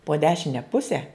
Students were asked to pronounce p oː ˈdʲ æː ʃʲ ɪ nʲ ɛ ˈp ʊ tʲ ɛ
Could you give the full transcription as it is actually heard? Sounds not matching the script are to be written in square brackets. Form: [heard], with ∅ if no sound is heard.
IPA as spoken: p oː ˈdʲ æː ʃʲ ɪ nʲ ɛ ˈp ʊ [sʲ] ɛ